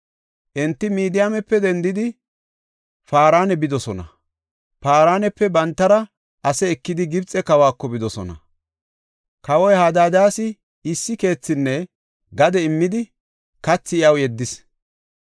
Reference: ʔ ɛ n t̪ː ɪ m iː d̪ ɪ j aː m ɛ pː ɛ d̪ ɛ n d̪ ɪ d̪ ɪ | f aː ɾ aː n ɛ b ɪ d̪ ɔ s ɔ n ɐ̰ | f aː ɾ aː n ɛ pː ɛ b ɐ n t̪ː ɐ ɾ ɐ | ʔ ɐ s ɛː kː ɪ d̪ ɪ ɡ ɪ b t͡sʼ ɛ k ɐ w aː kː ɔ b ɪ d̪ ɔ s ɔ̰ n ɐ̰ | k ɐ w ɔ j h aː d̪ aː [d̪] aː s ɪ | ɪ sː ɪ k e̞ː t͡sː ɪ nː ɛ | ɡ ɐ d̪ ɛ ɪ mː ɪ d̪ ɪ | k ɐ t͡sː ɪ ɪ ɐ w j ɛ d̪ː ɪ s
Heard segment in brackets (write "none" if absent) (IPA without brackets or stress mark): d̪